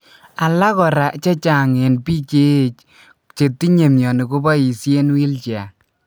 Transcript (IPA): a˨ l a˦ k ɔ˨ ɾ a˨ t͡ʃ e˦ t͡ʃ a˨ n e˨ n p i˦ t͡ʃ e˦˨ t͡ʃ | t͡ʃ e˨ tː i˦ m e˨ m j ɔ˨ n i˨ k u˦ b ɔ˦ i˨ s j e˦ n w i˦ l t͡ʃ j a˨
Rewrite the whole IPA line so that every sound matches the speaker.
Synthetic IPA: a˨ l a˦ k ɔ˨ ɾ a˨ t͡ʃ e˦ t͡ʃ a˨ ŋ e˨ n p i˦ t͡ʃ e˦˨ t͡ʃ | t͡ʃ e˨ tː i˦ ɲ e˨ m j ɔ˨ n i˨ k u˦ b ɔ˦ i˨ s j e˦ n w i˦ l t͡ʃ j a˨